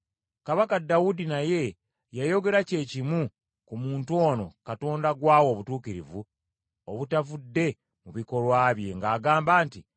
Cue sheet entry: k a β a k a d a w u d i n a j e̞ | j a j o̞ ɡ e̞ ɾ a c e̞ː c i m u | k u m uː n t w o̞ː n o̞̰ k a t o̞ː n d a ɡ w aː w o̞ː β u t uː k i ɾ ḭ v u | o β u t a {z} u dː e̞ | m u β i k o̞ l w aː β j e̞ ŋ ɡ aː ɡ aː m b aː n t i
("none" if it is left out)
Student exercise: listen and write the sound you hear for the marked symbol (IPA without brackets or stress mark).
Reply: v